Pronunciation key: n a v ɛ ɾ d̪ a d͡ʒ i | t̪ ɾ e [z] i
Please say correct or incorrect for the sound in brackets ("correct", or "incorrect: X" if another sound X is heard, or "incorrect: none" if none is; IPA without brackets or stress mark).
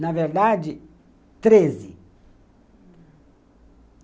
correct